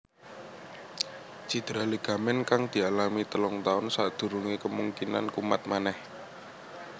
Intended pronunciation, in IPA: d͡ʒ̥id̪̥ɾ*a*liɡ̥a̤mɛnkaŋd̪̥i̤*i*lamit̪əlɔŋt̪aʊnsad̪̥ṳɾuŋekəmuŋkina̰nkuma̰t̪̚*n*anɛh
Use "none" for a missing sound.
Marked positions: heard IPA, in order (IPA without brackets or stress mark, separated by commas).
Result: a, a, m